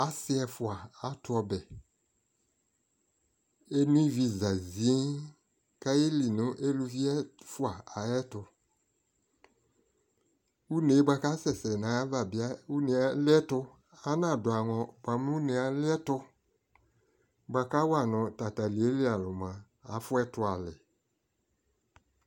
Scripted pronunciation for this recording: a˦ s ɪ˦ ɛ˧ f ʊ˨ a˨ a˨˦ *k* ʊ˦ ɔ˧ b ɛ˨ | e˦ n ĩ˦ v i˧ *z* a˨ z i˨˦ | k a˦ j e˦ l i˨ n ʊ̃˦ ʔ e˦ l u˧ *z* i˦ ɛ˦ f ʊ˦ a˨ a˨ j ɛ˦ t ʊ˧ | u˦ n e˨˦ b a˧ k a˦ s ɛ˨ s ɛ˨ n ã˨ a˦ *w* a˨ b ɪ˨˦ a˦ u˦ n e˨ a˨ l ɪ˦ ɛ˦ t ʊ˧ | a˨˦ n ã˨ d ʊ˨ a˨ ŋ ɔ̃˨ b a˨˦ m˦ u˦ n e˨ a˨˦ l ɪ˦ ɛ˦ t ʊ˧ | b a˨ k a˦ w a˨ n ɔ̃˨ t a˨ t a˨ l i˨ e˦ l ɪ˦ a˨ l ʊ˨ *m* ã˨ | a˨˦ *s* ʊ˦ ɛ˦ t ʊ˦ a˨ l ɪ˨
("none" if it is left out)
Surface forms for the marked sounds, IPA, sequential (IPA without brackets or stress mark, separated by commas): t, z, v, v, m, f